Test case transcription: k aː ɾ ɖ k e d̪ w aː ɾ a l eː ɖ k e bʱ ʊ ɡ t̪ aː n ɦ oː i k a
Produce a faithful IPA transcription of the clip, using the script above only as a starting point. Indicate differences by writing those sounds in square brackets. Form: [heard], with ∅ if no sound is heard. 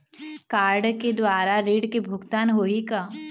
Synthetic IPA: k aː ɾ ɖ k e d̪ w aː ɾ a [ɾ] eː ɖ k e bʱ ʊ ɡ t̪ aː n ɦ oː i k a